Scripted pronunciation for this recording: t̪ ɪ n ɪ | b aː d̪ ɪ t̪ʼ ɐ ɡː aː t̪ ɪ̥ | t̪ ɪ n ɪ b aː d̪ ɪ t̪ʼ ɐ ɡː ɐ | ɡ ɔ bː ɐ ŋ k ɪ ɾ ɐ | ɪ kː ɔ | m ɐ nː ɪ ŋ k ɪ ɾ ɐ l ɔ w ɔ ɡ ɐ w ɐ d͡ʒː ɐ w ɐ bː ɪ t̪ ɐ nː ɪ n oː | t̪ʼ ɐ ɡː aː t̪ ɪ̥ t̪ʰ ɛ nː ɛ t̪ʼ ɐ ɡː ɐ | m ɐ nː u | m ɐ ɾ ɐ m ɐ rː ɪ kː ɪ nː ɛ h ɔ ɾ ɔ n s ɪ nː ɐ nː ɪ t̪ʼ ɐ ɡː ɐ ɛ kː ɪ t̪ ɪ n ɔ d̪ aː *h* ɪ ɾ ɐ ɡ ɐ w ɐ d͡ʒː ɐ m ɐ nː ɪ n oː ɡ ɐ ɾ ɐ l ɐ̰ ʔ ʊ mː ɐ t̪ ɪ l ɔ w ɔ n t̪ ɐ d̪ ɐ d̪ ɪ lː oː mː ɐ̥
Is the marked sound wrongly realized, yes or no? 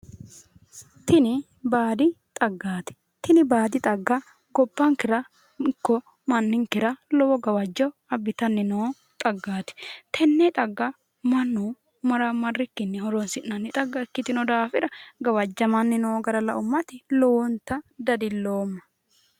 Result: yes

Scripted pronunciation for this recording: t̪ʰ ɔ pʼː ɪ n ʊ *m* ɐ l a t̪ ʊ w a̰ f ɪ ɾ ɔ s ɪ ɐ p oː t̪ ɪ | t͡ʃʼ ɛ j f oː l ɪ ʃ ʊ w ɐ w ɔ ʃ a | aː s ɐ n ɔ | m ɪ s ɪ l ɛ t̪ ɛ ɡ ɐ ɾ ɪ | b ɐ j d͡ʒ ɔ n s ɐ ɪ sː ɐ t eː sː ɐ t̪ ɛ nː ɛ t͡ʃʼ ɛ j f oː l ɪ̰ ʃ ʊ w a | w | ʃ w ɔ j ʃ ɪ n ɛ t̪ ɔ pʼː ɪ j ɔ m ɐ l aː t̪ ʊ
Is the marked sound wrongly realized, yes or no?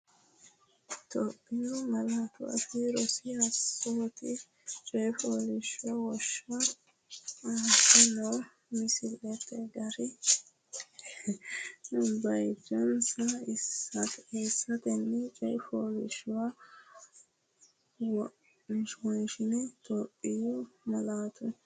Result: no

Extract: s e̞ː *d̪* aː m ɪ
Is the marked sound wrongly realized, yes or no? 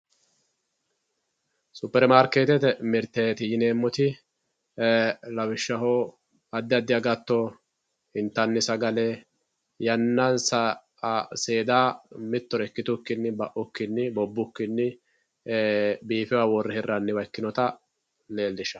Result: no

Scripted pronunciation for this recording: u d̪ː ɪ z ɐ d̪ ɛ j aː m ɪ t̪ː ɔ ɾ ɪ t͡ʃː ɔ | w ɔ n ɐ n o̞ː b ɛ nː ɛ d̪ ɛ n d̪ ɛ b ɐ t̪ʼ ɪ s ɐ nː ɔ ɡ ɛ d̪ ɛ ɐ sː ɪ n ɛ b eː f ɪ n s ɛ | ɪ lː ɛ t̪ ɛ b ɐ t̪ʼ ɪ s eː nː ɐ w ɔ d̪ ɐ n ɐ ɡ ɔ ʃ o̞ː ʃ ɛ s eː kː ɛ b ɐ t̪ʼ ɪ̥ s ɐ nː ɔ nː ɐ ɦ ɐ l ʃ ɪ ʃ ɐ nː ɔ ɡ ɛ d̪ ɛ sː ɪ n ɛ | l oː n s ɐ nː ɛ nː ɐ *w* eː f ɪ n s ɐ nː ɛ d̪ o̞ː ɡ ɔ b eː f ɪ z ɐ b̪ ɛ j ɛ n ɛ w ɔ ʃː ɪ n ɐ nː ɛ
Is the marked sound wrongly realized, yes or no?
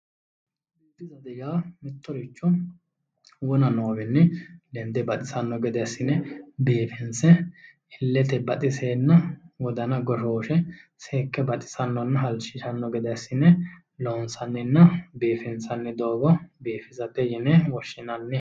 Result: yes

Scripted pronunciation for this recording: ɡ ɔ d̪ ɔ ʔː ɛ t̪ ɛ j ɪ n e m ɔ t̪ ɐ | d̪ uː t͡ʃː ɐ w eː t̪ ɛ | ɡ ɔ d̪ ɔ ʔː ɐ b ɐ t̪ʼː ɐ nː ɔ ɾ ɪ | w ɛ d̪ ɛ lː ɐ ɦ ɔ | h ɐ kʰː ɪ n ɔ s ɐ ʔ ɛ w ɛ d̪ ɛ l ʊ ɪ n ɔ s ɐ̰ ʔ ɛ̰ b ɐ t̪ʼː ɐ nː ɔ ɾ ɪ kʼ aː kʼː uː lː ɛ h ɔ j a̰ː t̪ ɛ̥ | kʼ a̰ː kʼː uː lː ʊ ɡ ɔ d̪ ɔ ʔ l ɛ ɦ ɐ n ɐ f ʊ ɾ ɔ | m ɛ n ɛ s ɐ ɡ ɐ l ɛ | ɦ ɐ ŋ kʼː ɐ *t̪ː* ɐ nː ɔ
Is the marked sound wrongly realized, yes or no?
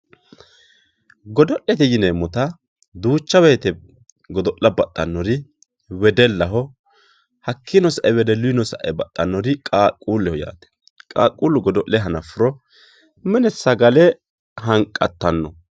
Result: no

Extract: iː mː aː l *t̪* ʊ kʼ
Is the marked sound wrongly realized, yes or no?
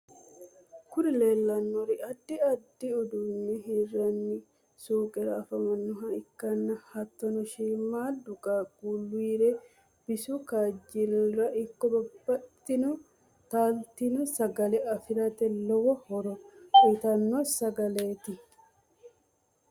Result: yes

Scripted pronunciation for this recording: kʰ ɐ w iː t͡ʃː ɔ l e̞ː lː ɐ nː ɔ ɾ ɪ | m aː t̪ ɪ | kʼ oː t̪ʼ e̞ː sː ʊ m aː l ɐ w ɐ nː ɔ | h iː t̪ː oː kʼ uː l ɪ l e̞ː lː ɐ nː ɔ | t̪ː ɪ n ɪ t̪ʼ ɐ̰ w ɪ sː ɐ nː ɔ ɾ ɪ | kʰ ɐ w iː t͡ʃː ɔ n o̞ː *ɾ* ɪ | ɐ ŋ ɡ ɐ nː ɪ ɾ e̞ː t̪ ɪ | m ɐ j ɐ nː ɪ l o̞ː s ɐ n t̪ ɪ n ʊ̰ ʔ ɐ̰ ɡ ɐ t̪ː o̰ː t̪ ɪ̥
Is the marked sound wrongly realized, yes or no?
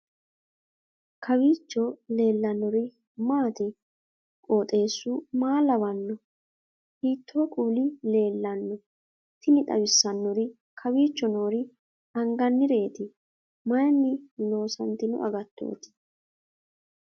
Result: no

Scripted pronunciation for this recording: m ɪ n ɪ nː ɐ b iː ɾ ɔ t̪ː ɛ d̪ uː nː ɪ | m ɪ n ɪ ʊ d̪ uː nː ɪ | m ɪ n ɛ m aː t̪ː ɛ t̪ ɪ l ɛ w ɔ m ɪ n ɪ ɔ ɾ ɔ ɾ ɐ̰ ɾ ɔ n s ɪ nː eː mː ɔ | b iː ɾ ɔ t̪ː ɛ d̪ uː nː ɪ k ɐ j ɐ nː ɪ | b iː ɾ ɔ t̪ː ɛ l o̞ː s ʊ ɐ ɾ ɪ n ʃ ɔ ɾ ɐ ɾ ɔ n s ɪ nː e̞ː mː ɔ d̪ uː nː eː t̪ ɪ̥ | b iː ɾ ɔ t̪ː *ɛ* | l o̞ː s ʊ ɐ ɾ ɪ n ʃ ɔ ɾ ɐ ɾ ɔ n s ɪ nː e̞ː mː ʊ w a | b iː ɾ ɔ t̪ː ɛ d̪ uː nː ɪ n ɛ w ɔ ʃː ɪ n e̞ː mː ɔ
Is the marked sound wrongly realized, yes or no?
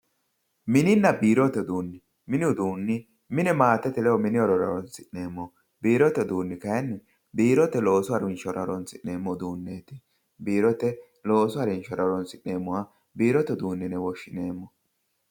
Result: no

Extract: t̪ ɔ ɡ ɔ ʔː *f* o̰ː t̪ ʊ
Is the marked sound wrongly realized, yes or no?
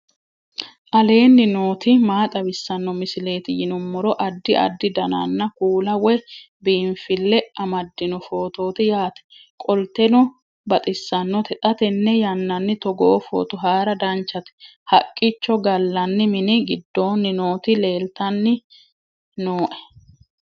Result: no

